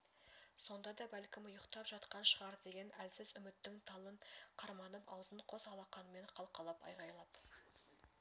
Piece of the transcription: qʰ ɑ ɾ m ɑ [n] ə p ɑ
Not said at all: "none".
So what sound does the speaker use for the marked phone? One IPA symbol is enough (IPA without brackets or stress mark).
n